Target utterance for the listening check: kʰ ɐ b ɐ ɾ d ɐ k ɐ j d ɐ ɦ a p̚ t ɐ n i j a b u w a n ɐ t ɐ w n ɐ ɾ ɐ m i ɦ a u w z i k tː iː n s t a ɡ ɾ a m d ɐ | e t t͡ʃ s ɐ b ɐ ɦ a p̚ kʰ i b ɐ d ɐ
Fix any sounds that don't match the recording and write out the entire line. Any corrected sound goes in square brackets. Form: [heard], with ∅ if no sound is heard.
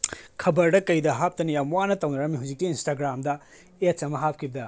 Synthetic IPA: kʰ ɐ b ɐ ɾ d ɐ k ɐ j d ɐ ɦ a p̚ t ɐ n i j a [m] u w a n ɐ t ɐ w n ɐ ɾ ɐ m i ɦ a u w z i k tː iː n s t a ɡ ɾ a m d ɐ | e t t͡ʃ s ɐ [m] ɐ ɦ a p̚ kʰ i b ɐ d ɐ